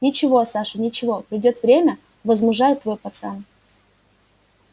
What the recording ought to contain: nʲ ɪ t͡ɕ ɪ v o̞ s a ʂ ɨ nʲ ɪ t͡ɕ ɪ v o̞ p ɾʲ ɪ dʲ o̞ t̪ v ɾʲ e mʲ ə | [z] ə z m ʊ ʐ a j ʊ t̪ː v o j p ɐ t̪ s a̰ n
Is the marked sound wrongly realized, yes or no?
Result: yes